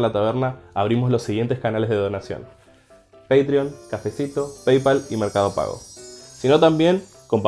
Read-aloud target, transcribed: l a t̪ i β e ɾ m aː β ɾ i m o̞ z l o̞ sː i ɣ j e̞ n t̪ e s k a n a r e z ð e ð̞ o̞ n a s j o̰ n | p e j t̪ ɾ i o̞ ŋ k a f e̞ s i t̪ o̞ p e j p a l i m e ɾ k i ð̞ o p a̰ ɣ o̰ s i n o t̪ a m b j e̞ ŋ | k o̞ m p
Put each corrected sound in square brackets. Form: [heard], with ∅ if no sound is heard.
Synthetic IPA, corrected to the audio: l a t̪ [a] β e ɾ [n] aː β ɾ i m o̞ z l o̞ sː i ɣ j e̞ n t̪ e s k a n a [l] e z ð e ð̞ o̞ n a s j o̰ n | p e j t̪ ɾ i o̞ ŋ k a f e̞ s i t̪ o̞ p e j p a l i m e ɾ k [a] ð̞ o p a̰ ɣ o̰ s i n o t̪ a m b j e̞ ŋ | k o̞ m p